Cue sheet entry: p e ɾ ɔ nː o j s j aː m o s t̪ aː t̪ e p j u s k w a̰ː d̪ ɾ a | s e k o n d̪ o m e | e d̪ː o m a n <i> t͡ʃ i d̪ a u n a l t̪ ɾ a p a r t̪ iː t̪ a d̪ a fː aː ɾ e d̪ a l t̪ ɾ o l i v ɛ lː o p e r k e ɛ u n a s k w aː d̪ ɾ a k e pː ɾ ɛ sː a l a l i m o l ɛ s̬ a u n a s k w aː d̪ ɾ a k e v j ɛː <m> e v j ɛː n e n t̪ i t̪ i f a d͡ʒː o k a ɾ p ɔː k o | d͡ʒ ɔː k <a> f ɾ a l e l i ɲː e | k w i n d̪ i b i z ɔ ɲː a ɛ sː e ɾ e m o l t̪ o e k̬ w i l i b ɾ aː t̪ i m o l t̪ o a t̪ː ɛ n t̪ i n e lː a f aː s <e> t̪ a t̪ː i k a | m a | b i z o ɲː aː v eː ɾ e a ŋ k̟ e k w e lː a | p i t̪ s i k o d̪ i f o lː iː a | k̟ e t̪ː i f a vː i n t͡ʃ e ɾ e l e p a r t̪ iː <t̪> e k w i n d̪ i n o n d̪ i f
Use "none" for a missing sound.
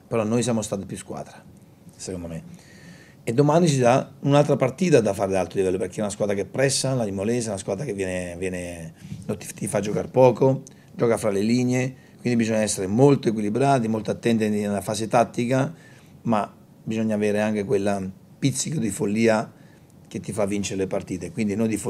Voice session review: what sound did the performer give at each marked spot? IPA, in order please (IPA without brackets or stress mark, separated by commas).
i, n, a, e, t̪